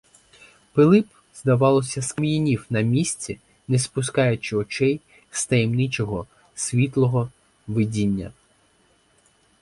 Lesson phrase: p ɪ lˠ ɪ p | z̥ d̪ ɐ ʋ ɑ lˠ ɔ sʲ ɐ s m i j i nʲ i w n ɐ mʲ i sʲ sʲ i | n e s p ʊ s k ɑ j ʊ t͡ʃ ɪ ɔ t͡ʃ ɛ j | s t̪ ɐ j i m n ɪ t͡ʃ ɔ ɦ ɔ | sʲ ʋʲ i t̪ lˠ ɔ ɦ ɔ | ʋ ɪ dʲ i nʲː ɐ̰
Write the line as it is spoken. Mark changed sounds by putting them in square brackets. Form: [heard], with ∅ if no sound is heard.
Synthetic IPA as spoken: p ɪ lˠ ɪ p | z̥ d̪ ɐ ʋ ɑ lˠ ɔ sʲ ɐ s m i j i nʲ i w n ɐ mʲ i sʲ [t͡sʲ] i | n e s p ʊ s k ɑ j ʊ t͡ʃ ɪ ɔ t͡ʃ ɛ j | s t̪ ɐ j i m n ɪ t͡ʃ ɔ ɦ ɔ | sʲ ʋʲ i t̪ lˠ ɔ ɦ ɔ | ʋ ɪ dʲ i nʲː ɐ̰